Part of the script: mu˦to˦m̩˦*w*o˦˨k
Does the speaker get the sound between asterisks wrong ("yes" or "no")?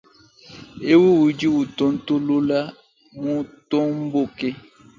yes